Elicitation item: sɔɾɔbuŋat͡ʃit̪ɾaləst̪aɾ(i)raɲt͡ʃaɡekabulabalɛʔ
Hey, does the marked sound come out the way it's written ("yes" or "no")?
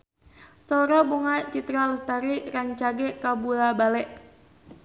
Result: yes